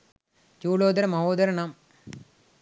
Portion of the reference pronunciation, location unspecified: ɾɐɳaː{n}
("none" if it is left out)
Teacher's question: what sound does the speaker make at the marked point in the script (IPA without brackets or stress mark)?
m